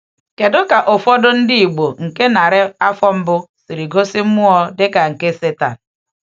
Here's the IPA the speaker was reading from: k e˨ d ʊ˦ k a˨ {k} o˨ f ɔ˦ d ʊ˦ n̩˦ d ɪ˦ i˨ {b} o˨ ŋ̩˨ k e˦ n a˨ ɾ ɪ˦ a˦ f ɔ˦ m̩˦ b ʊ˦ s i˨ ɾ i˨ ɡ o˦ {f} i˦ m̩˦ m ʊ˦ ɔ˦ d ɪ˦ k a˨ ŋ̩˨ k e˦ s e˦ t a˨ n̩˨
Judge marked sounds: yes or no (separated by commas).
no, no, no